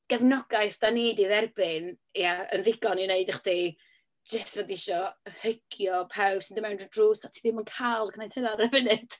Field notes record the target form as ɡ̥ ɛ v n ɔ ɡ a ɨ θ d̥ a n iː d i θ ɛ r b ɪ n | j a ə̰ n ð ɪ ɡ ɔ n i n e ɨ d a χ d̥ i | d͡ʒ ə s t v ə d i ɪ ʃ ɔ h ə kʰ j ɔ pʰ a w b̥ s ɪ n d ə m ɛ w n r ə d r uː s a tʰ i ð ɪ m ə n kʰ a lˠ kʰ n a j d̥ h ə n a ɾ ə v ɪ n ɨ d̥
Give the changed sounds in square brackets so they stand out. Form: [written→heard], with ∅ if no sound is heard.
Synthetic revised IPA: ɡ̥ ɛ v n ɔ ɡ a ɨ θ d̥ a n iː d i [θ→ð] ɛ r b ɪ n | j a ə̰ n ð ɪ ɡ ɔ n i n e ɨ d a χ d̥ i | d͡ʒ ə s t v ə d i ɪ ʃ ɔ h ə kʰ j ɔ pʰ a w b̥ s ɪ n d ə m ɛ w n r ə d r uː s a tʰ i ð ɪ m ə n kʰ a lˠ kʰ n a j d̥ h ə n a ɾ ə v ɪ n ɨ d̥